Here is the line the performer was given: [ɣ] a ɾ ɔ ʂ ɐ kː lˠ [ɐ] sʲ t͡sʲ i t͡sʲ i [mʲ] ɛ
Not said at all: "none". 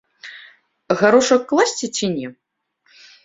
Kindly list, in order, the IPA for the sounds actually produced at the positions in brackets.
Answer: ɣ, a, nʲ

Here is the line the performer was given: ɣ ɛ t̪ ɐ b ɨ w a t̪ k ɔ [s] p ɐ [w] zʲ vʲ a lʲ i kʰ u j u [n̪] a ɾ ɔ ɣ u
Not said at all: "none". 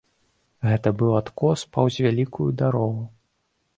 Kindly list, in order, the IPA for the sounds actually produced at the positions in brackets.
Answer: s, w, d̪

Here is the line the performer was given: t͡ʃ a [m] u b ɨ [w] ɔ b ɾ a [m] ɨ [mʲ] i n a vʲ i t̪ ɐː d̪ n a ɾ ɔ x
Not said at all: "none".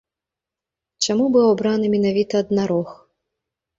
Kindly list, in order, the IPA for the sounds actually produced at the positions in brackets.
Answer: m, w, n, mʲ

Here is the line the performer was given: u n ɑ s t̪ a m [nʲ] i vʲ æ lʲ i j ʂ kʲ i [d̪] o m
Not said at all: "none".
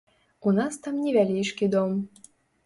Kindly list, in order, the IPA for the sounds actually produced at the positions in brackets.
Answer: nʲ, d̪

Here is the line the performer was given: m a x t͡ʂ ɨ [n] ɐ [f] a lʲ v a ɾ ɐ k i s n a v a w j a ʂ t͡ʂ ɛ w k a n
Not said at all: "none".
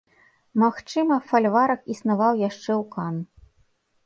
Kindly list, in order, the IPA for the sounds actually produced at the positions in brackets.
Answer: m, f

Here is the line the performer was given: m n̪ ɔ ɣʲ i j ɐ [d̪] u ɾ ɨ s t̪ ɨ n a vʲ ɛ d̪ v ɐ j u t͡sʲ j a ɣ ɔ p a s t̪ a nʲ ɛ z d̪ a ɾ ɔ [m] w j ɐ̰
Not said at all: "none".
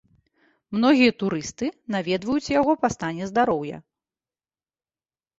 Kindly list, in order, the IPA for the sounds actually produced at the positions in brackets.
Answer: t̪, none

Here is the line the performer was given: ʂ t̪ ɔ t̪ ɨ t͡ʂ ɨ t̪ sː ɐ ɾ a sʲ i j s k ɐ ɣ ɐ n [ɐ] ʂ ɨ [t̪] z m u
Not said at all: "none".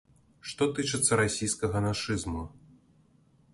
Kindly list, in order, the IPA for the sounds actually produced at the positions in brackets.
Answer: a, none

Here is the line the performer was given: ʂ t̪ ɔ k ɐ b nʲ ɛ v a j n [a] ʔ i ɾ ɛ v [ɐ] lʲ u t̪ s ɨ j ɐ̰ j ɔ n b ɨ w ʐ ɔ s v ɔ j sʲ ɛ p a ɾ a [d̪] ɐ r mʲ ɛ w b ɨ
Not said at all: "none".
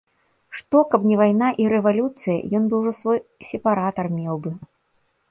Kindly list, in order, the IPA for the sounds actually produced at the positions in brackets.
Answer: a, a, t̪

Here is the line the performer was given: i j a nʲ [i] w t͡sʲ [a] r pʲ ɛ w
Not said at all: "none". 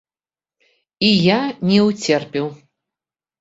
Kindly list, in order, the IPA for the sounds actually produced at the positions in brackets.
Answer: ɛ, ɛ

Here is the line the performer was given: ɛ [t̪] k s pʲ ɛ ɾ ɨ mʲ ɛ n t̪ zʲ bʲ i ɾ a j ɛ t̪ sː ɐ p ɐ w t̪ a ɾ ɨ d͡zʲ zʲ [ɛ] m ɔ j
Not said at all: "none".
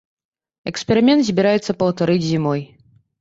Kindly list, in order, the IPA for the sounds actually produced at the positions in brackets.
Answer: none, i

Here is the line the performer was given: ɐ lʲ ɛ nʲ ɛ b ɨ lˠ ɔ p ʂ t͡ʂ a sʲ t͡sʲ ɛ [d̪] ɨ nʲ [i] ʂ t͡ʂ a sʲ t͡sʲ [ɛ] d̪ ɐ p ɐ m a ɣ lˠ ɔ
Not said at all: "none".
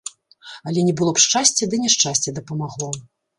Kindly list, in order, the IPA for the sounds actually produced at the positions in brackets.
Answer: d̪, ɛ, ɛ

